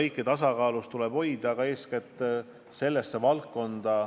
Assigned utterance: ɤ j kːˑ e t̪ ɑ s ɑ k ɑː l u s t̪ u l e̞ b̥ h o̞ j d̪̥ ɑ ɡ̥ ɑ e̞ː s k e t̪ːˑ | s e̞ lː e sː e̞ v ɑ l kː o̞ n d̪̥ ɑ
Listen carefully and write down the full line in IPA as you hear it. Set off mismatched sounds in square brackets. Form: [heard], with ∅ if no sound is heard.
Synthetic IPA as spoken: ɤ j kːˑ e t̪ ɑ s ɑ k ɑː l u s t̪ u l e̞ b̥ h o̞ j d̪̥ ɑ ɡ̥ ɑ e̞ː s k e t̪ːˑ | s e̞ lː e sː e̞ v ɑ l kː o̞ n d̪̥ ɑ